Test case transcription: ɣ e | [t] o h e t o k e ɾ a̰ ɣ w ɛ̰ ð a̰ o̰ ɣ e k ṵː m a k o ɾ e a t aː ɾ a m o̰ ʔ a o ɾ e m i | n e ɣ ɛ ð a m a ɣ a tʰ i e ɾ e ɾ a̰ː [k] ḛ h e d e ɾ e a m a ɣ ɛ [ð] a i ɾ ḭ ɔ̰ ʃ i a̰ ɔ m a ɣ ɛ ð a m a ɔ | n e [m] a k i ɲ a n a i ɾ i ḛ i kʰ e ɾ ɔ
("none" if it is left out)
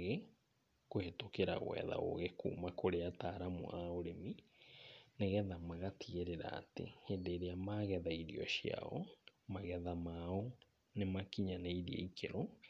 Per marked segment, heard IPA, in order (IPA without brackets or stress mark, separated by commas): k, t, ð, m